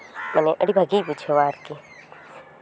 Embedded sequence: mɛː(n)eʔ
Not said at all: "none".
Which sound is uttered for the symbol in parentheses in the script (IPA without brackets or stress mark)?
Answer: n